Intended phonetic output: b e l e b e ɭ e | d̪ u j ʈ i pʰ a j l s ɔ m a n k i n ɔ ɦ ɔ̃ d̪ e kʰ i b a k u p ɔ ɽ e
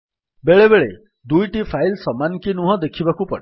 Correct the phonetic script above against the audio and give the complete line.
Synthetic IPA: b e ɭ e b e ɭ e | d̪ u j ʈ i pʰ a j l s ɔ m a n k i n u ɦ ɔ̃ d̪ e kʰ i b a k u p ɔ ɽ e

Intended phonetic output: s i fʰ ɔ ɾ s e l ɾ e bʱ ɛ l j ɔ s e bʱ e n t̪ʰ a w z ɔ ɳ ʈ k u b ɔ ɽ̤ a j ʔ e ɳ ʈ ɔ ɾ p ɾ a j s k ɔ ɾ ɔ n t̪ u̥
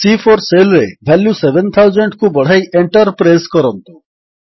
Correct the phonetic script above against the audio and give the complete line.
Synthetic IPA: s i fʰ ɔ ɾ s e l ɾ e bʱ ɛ l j u s e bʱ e n t̪ʰ a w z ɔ ɳ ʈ k u b ɔ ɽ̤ a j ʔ e ɳ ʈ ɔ ɾ p ɾ a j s k ɔ ɾ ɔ n t̪ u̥

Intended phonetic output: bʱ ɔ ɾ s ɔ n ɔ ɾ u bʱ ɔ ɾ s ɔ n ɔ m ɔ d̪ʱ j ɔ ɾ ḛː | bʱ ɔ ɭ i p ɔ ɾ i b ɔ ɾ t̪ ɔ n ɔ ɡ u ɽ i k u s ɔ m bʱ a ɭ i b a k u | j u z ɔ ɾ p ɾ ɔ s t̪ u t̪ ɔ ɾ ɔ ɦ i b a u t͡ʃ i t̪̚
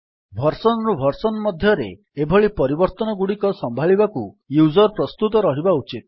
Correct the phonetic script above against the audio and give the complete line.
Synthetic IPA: bʱ ɔ ɾ s ɔ n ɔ ɾ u bʱ ɔ ɾ s ɔ n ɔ m ɔ d̪ʱ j ɔ ɾ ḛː | bʱ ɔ ɭ i p ɔ ɾ i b ɔ ɾ t̪ ɔ n ɔ ɡ u ɽ i k ɔ s ɔ m bʱ a ɭ i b a k u | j u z ɔ ɾ p ɾ ɔ s t̪ u t̪ ɔ ɾ ɔ ɦ i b a u t͡ʃ i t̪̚

